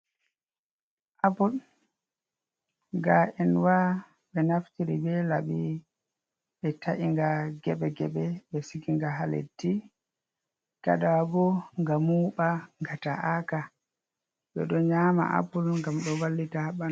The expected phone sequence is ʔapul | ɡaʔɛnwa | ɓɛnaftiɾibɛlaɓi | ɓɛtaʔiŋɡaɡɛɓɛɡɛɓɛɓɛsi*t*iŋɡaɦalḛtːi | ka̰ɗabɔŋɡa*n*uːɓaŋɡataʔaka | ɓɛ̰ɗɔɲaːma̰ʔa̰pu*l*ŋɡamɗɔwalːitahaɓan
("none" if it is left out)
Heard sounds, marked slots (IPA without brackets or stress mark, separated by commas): k, m, l